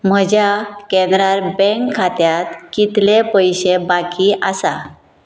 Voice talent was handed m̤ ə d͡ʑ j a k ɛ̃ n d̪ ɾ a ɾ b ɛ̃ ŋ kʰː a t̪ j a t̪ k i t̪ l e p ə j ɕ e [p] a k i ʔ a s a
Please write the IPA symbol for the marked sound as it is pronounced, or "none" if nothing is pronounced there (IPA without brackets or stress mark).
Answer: b